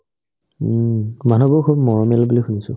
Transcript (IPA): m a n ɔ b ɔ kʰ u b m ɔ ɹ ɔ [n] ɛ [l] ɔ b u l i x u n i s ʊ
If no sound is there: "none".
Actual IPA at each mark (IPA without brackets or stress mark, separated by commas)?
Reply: m, l